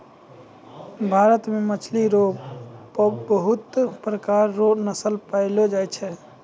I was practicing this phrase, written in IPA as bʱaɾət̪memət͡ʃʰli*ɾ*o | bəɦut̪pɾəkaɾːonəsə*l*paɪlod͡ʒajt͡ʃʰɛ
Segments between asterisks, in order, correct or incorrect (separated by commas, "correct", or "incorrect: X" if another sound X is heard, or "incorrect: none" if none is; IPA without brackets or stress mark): correct, correct